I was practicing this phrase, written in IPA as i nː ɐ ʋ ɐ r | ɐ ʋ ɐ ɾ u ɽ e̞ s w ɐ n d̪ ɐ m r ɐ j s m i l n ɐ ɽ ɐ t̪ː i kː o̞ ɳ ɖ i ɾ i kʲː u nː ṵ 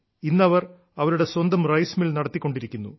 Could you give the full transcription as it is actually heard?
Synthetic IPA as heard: i nː ɐ ʋ ɐ r | ɐ ʋ ɐ ɾ u ɽ e̞ s w ɐ n d̪ ɐ m r ɐ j s m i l n ɐ ɽ ɐ t̪ː i kː o̞ ɳ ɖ i ɾ i kʲː u nː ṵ